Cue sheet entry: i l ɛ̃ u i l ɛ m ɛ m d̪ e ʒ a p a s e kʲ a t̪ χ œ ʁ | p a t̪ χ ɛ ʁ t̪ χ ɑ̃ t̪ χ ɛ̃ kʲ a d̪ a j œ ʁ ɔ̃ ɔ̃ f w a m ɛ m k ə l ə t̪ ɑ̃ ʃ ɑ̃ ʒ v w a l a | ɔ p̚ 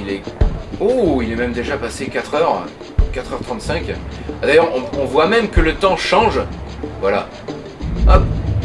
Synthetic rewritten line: i l ɛ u i l ɛ m ɛ m d̪ e ʒ a p a s e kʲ a t̪ χ œ ʁ | k a t̪ χ œ ʁ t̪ χ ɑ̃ t̪ s ɛ̃ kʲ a d̪ a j œ ʁ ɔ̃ ɔ̃ v w a m ɛ m k ə l ə t̪ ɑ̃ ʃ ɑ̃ ʒ v w a l a | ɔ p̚